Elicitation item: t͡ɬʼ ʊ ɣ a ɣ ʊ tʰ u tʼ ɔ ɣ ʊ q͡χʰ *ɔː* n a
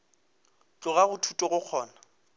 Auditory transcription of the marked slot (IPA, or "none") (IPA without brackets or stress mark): ɔː